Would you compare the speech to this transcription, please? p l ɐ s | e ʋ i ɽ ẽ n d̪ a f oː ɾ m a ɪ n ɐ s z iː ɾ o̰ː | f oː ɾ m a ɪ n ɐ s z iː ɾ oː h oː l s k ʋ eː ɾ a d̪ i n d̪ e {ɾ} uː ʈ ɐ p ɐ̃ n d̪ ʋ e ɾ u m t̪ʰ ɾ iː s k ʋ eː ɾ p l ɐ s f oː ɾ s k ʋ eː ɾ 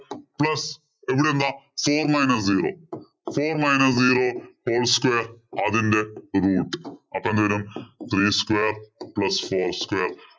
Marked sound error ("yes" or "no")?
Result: no